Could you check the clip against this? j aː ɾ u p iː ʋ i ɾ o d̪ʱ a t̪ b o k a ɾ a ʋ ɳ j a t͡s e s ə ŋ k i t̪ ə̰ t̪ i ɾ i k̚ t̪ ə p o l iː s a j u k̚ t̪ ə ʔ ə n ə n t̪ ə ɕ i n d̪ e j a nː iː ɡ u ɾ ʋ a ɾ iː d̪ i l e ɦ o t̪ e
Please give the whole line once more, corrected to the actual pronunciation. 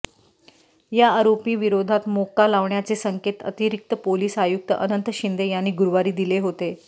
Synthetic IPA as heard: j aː ɾ o p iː ʋ i ɾ o d̪ʱ a t̪ m o k a l a ʋ ɳ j a t͡s e s ə ŋ k e t̪ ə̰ t̪ i ɾ i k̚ t̪ ə p o l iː s a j u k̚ t̪ ə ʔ ə n ə n t̪ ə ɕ i n d̪ e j a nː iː ɡ u ɾ ʋ a ɾ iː d̪ i l e ɦ o t̪ e